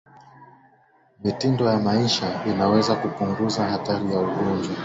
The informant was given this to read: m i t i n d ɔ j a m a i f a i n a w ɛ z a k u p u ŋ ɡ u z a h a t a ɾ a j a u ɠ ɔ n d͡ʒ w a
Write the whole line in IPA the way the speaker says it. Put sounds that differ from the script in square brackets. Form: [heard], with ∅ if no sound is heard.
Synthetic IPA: m i t i n d ɔ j a m a i [ʃ] a i n a w ɛ z a k u p u ŋ ɡ u z a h a t a ɾ [i] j a u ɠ ɔ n d͡ʒ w a